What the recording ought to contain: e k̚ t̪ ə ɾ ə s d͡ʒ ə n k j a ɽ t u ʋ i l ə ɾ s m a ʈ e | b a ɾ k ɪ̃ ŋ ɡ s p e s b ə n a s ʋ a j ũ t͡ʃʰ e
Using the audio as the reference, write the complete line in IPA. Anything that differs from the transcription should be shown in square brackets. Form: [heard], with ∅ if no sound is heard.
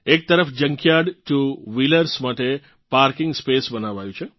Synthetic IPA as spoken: e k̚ t̪ ə ɾ ə [f] d͡ʒ ə [ŋ] k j a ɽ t u ʋ i l ə ɾ s m a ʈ e | [p] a ɾ k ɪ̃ ŋ ɡ s p e s b ə n a [∅] ʋ a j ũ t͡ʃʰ e